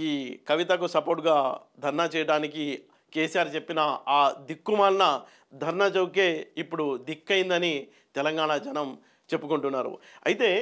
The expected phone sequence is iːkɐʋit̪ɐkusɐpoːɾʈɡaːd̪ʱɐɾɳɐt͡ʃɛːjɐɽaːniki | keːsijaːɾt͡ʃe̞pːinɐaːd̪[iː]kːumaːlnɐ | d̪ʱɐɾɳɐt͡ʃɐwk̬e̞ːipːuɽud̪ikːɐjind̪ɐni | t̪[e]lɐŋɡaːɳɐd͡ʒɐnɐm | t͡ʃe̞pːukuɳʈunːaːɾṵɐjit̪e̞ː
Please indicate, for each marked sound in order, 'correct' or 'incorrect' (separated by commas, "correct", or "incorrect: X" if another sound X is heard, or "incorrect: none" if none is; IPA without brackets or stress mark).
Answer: incorrect: i, incorrect: ɛ